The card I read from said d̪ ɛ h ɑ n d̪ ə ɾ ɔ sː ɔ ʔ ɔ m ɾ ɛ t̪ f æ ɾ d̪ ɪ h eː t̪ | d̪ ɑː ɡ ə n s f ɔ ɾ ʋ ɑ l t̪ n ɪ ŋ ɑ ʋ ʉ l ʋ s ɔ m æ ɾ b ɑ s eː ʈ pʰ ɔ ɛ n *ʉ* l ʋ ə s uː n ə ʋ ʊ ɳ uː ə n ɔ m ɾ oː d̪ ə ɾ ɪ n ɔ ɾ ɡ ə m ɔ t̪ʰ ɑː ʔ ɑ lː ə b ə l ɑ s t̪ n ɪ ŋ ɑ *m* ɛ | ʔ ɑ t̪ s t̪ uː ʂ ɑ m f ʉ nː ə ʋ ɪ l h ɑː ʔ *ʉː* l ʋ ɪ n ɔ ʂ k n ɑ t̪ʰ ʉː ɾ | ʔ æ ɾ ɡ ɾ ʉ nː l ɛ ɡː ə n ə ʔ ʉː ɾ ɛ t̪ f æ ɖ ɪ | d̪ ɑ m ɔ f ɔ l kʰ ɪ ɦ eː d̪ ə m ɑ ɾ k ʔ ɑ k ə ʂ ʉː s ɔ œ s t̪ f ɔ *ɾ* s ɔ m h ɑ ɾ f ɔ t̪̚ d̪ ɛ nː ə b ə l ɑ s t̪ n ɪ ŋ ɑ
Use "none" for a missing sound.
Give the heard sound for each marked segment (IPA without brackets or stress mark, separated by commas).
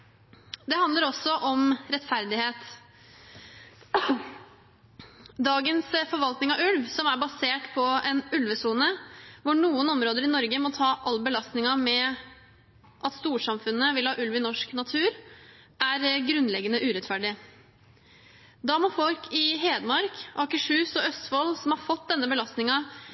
ʉ, m, ʉ, l